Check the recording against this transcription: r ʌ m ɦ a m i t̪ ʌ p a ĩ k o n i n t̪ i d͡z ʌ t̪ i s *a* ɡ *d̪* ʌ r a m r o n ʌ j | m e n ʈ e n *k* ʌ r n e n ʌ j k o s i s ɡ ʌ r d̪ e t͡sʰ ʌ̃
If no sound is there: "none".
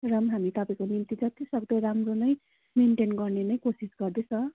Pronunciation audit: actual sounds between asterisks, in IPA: ʌ, d̪, ɡ

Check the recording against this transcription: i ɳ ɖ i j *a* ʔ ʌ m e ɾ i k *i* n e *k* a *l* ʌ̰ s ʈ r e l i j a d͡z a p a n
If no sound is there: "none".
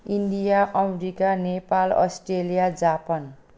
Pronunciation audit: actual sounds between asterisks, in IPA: a, a, p, l

